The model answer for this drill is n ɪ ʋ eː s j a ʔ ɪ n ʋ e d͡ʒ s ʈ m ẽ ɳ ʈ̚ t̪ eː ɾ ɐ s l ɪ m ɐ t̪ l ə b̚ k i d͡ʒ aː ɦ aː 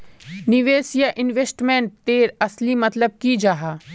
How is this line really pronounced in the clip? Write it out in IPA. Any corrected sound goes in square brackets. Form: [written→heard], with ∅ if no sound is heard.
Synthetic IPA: n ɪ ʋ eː s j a ʔ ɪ n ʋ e [d͡ʒ→∅] s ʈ m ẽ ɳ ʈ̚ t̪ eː ɾ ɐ s l [ɪ→i] m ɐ t̪ l ə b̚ k i d͡ʒ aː ɦ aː